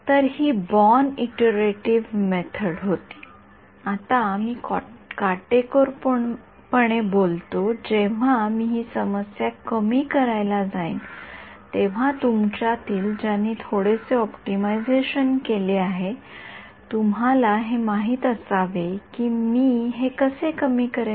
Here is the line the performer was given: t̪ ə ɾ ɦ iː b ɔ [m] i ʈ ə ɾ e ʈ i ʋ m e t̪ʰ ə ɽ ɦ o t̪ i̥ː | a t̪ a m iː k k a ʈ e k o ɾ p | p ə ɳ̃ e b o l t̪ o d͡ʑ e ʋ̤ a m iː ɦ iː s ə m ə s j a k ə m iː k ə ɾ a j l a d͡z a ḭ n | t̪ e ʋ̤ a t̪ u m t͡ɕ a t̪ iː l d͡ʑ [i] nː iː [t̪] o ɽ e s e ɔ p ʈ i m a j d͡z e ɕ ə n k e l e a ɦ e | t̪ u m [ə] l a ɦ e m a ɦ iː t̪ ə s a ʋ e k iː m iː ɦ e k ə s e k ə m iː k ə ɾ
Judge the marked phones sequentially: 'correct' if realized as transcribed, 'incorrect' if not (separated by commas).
incorrect, incorrect, incorrect, incorrect